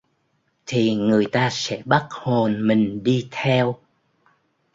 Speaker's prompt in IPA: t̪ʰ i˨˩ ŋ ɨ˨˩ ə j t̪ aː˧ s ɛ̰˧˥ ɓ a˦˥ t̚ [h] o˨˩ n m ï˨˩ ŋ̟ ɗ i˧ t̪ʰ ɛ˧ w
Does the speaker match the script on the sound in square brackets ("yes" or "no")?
yes